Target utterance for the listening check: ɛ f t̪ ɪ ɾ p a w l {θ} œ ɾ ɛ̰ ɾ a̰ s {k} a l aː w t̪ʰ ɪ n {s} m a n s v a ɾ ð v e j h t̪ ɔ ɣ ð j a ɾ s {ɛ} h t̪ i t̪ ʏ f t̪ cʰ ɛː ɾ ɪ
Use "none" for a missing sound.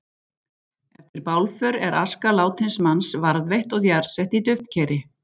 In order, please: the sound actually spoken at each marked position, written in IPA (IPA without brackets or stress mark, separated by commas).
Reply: f, k, s, ɛ